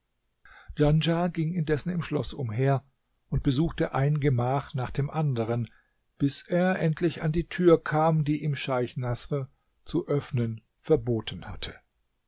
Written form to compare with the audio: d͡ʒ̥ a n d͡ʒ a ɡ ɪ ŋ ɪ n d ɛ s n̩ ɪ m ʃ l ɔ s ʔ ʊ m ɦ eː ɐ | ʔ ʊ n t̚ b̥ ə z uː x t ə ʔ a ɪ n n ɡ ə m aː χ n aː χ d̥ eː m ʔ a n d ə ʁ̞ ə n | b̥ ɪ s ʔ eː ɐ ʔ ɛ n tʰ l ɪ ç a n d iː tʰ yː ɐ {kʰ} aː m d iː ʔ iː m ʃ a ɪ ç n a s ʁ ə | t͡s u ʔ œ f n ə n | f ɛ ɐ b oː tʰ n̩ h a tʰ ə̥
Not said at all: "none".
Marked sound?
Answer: kʰ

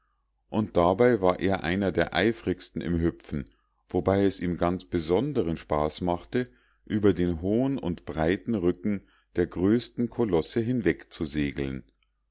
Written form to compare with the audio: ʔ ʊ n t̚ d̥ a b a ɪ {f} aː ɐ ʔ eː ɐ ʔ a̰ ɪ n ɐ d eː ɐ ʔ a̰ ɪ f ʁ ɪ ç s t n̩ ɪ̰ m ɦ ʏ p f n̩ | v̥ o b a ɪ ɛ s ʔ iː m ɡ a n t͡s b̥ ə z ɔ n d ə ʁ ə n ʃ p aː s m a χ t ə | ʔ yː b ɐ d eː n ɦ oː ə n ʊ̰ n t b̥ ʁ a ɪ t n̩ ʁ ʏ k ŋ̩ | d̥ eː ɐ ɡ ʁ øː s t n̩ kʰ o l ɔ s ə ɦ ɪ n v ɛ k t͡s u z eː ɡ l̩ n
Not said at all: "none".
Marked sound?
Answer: v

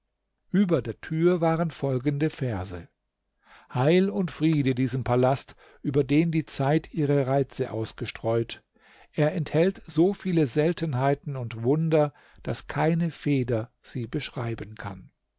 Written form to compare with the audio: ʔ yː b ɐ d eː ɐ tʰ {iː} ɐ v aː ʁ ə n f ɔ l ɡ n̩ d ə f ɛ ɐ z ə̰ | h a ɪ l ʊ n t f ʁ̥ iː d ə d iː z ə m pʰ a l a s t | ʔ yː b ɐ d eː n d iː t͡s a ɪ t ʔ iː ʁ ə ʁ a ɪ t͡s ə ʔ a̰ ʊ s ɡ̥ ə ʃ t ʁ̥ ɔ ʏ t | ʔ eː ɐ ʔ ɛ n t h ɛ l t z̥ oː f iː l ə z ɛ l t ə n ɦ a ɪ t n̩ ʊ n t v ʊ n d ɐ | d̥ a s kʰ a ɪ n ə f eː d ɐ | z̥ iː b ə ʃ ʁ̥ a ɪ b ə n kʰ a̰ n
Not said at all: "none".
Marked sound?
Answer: yː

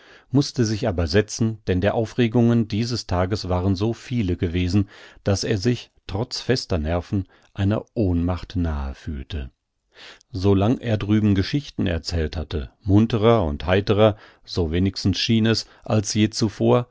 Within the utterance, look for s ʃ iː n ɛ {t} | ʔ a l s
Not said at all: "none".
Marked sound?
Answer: s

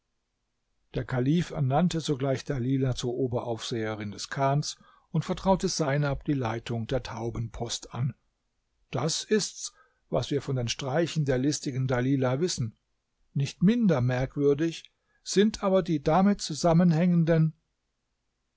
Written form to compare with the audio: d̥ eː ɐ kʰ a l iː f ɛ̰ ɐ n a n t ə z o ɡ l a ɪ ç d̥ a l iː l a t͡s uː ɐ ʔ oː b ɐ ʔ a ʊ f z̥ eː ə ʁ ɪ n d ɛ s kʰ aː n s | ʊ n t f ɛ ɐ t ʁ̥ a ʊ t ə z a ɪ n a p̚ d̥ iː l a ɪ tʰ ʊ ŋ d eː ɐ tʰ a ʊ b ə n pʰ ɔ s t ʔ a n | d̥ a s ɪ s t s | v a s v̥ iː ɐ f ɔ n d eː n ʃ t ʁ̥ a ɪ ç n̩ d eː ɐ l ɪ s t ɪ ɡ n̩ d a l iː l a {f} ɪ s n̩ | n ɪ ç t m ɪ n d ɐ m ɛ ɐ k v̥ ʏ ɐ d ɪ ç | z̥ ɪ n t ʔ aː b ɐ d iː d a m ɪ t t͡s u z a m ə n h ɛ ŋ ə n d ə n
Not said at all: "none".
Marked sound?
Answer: v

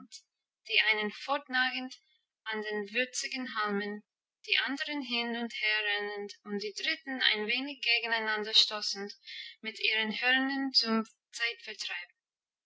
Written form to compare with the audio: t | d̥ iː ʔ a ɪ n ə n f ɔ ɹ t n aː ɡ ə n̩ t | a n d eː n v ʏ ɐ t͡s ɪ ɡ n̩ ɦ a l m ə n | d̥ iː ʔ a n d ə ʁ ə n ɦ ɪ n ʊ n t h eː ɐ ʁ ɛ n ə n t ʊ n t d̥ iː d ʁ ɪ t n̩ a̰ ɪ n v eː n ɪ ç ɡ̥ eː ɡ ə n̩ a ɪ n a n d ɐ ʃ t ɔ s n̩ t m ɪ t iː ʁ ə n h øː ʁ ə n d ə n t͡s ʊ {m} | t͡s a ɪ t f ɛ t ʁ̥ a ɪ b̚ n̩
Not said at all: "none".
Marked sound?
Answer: m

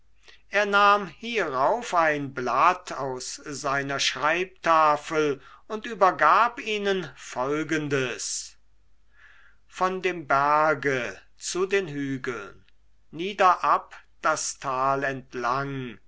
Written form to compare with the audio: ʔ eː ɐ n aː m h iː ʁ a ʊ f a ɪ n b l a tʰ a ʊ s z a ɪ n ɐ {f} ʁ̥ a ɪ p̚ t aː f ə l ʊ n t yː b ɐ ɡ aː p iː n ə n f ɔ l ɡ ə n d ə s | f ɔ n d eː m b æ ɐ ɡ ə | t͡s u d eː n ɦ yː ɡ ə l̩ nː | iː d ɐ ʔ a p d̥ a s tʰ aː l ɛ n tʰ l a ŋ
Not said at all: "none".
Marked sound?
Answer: ʃ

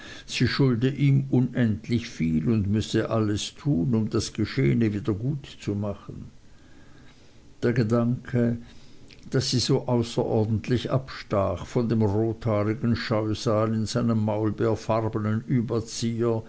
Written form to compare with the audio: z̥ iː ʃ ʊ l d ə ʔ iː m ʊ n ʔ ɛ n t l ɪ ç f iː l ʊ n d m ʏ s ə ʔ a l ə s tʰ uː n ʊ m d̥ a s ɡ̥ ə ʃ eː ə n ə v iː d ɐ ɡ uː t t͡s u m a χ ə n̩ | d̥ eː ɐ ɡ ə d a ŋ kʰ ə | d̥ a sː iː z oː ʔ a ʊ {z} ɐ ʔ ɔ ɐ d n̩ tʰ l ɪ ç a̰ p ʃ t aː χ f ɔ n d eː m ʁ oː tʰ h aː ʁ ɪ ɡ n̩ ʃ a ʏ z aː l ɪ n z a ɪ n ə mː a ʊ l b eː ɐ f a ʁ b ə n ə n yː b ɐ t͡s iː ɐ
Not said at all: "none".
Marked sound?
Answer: s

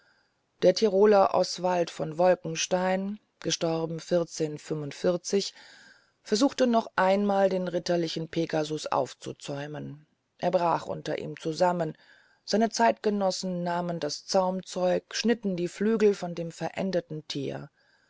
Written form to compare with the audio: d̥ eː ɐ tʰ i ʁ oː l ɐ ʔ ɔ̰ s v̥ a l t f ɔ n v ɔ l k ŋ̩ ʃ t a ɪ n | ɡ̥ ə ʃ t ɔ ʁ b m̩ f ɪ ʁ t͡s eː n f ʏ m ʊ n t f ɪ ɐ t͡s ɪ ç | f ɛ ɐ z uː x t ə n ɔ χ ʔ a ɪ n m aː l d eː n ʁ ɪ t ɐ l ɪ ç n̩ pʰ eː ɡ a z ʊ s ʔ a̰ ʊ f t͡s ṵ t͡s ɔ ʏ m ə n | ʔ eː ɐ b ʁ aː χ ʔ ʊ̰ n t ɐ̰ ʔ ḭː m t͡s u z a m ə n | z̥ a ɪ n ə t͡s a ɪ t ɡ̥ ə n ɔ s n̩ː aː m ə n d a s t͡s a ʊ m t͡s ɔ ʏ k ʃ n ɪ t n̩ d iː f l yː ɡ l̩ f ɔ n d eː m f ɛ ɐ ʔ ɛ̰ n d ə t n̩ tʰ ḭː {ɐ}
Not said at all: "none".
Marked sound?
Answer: ɐ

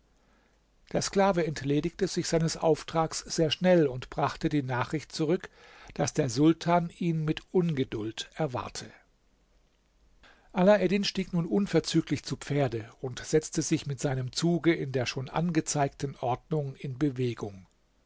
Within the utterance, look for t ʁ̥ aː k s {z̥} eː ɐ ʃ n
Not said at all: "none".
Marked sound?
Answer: z̥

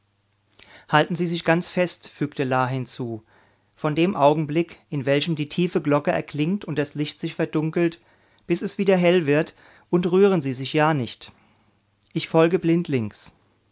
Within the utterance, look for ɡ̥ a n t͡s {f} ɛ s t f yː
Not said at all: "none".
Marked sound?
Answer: f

